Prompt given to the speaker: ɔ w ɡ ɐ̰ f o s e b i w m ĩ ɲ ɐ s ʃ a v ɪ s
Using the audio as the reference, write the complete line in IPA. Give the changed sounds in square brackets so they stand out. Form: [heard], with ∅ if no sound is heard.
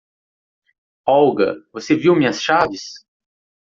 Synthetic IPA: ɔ w ɡ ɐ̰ [v] o s e [v] i w m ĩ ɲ ɐ s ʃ a v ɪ s